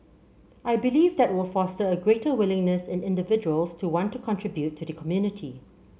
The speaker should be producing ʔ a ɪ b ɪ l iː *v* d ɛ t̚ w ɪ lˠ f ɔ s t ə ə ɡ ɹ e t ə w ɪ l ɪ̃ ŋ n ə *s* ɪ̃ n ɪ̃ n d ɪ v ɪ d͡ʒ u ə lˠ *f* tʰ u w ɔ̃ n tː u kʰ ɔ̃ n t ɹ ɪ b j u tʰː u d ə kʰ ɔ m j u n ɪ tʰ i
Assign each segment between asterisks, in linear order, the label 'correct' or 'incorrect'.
correct, correct, incorrect: s

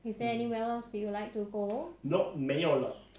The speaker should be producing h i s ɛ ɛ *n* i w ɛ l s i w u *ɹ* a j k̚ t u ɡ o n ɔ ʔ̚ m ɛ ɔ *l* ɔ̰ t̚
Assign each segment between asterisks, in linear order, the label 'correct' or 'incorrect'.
correct, incorrect: l, correct

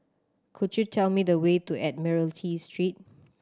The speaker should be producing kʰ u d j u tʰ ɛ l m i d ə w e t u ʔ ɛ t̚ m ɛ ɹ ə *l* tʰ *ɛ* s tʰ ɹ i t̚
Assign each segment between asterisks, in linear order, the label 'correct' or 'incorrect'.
correct, incorrect: i

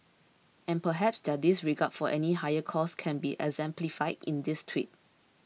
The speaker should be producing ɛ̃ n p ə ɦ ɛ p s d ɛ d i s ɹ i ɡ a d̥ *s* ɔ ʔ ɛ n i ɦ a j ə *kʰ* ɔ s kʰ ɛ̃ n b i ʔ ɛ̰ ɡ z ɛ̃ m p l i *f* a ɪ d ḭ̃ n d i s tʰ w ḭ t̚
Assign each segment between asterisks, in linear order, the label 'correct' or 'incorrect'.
incorrect: f, correct, correct

